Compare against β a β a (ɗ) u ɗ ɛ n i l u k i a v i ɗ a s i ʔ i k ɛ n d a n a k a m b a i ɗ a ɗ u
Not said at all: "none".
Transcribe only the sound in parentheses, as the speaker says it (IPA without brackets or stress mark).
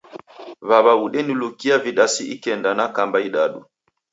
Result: none